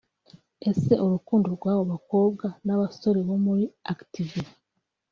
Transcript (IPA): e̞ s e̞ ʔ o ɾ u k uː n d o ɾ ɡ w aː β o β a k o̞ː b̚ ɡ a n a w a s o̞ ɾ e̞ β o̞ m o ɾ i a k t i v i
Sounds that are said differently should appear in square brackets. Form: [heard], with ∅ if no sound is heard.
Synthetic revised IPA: e̞ s e̞ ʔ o ɾ u k uː n d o ɾ ɡ w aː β o β a k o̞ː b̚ ɡ a n a [β] a s o̞ ɾ e̞ β o̞ m [u] ɾ i a k t i v i